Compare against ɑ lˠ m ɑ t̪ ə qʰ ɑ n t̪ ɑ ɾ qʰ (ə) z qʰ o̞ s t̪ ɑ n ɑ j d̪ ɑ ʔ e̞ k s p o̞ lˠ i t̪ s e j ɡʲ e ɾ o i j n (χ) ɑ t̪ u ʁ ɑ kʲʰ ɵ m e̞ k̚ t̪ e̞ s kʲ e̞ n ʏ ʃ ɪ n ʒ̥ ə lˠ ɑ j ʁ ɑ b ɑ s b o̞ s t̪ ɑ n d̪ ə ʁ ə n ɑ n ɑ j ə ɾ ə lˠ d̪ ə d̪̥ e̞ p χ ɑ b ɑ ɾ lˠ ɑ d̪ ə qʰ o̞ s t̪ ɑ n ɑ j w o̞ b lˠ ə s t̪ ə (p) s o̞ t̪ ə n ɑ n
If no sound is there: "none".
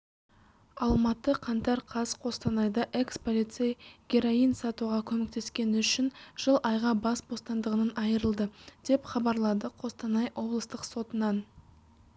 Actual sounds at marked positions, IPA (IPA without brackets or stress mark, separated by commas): ɑ, s, q